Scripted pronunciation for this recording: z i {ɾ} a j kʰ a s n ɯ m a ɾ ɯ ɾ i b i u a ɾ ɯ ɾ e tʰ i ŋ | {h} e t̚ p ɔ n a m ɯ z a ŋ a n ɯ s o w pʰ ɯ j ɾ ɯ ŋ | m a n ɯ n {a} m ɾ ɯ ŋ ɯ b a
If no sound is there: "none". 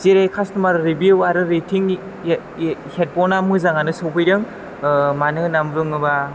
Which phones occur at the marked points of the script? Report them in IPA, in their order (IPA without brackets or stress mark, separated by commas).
ɾ, h, a